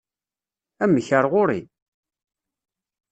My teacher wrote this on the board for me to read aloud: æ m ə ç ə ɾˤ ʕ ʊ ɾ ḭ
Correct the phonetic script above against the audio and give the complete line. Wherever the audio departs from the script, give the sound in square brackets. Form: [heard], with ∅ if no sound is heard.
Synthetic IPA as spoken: æ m ə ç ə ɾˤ [ʁ] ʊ ɾ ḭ